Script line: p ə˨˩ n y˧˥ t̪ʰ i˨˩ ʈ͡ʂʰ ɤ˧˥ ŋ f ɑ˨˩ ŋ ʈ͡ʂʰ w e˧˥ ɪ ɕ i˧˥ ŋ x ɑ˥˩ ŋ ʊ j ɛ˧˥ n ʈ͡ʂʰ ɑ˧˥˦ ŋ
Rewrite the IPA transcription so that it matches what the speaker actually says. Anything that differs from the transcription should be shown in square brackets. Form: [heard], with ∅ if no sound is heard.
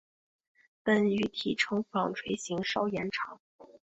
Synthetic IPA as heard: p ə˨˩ n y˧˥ t̪ʰ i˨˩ ʈ͡ʂʰ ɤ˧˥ ŋ f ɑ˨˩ ŋ ʈ͡ʂʰ w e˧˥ ɪ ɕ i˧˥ ŋ [ʂ] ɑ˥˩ [∅] ʊ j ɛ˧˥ n ʈ͡ʂʰ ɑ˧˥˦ ŋ